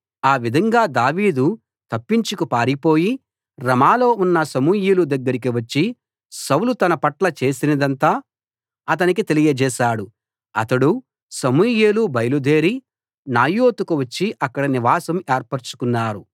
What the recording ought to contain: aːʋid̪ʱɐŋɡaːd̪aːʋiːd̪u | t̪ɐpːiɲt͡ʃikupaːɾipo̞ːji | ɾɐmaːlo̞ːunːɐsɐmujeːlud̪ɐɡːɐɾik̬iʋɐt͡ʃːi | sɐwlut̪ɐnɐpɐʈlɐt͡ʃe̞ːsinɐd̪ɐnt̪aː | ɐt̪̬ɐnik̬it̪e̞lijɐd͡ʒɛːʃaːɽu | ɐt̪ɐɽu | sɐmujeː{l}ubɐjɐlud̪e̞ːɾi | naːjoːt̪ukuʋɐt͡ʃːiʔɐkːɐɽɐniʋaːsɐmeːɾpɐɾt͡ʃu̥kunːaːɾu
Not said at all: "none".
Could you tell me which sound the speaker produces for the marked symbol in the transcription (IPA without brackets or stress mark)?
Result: l